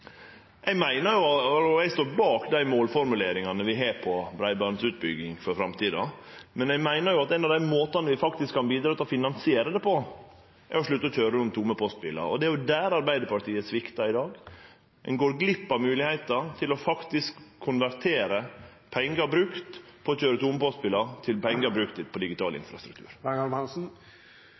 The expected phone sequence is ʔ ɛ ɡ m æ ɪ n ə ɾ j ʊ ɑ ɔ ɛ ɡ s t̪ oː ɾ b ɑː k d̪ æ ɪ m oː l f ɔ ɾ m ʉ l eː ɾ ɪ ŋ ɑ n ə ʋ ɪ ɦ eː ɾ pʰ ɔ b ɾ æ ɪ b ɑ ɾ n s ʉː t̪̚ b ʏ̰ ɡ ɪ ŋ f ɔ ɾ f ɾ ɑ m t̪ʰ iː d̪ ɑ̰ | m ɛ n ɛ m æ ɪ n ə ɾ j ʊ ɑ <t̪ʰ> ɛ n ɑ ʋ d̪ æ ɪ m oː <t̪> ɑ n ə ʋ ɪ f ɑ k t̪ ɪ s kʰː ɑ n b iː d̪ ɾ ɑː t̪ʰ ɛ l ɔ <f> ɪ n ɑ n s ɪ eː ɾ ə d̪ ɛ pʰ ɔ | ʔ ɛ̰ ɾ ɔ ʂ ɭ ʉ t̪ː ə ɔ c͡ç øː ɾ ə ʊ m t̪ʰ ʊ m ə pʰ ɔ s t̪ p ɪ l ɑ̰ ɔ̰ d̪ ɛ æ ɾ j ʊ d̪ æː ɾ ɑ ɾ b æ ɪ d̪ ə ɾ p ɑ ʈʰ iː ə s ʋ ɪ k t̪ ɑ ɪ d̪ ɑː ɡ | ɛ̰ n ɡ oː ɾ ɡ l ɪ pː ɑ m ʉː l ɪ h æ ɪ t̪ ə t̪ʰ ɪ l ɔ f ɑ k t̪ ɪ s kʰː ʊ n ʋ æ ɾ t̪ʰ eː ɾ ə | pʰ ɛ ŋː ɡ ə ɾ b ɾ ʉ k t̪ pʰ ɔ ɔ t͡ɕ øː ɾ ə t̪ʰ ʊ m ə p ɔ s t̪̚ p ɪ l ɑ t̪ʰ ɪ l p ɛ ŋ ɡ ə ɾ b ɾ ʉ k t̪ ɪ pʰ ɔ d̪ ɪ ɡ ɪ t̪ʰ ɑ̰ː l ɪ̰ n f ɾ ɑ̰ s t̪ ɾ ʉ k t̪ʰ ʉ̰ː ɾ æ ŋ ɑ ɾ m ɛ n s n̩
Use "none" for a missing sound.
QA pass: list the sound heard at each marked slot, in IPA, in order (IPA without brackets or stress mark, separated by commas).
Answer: t̪, t̪, f